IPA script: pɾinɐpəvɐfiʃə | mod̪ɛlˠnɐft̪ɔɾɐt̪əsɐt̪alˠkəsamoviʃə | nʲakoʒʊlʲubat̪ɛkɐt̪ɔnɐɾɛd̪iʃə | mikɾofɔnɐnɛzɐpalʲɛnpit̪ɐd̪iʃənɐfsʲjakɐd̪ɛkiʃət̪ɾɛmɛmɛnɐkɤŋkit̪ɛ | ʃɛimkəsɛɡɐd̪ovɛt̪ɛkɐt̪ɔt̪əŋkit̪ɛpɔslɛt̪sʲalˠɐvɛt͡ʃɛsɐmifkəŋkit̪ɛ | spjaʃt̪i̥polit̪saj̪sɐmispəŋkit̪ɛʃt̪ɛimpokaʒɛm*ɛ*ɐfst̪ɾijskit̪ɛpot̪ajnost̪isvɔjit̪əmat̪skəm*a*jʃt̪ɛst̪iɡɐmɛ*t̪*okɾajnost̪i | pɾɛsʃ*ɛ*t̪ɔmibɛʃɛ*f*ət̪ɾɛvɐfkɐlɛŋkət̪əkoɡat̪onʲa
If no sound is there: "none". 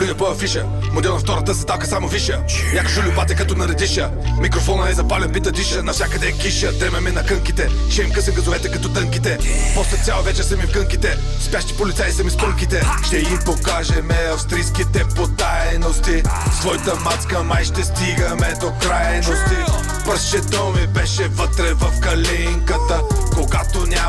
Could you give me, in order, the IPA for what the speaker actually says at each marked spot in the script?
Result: ɛ, a, d̪, ɛ, v

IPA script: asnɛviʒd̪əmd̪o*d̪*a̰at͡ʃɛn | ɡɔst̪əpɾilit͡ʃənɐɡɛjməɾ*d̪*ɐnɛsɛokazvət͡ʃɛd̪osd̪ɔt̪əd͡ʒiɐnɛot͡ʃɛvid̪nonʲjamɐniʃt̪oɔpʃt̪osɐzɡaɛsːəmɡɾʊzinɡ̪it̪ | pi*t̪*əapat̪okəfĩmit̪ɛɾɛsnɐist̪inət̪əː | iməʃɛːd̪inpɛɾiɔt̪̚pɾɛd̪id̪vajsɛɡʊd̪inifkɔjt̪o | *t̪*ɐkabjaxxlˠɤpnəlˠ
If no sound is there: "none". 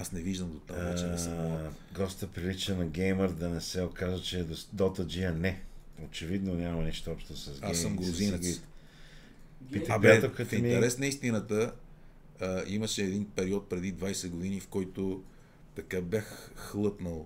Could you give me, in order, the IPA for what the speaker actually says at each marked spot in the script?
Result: t̪, d̪, t̪, t̪

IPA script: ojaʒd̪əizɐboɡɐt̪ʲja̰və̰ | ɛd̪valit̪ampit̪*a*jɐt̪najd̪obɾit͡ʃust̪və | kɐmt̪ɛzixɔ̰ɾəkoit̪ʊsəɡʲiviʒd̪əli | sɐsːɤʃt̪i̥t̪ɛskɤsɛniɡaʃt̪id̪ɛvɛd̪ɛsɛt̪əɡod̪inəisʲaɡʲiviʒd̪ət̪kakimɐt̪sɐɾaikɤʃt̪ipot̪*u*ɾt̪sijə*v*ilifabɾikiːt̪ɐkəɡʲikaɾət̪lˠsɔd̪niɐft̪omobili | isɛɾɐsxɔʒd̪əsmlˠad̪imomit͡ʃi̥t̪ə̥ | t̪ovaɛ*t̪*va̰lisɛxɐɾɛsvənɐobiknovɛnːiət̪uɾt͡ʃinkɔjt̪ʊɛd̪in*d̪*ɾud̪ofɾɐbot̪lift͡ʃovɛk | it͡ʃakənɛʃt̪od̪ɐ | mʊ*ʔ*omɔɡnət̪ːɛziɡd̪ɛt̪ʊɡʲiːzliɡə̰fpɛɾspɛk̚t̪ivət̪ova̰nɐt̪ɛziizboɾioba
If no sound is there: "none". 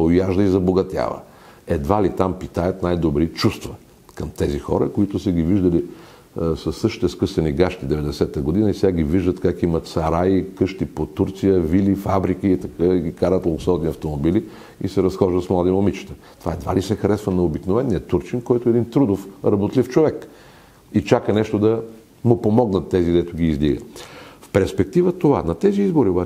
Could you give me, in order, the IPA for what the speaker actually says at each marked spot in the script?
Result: a, u, v, d̪, t̪, p

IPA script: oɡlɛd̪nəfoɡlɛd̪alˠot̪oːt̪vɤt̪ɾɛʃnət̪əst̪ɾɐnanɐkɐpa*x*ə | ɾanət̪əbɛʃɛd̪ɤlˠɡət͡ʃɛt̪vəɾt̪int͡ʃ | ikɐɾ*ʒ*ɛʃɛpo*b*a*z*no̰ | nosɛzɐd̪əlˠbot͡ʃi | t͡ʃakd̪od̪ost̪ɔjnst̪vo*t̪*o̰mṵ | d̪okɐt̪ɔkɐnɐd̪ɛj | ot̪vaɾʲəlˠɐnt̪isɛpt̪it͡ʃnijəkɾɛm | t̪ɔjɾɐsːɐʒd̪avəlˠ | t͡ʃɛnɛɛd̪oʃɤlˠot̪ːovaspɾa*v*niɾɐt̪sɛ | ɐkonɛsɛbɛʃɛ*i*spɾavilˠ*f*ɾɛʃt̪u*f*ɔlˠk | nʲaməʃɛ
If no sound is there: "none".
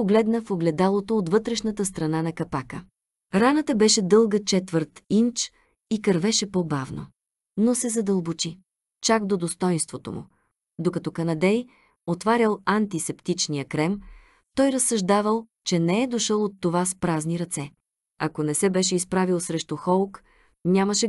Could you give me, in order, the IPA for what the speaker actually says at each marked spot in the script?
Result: k, v, b, v, t̪, z, i, s, x

